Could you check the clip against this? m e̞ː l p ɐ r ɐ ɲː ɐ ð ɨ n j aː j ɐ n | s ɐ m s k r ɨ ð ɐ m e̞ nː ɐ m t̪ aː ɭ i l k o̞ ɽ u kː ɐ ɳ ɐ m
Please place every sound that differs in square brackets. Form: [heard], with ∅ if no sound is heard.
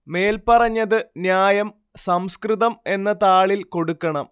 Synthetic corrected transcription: m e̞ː l p ɐ r ɐ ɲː ɐ ð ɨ n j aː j ɐ [m] | s ɐ m s k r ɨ ð ɐ m e̞ nː ɐ [∅] t̪ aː ɭ i l k o̞ ɽ u kː ɐ ɳ ɐ m